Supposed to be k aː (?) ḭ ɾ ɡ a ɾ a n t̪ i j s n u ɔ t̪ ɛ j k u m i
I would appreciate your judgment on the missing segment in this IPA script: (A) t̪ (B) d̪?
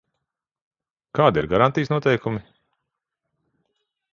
B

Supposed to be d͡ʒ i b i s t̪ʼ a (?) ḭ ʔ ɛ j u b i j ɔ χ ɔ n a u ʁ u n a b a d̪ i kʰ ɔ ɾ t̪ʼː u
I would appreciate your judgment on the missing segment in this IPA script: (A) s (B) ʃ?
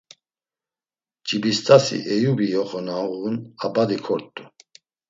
A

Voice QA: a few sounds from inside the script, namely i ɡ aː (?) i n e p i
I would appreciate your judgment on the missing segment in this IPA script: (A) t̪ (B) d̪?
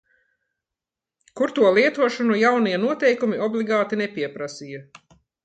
A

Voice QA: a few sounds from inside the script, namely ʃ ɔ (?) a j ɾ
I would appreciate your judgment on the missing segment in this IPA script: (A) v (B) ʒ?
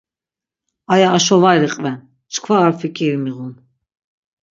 A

